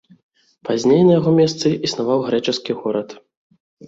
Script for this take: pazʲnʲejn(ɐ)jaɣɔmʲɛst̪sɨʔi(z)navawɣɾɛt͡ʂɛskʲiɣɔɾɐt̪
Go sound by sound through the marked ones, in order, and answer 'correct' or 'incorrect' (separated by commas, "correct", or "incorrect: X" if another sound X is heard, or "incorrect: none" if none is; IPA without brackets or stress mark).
correct, incorrect: s